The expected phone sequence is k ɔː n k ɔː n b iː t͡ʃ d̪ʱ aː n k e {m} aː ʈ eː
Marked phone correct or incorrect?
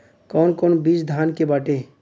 incorrect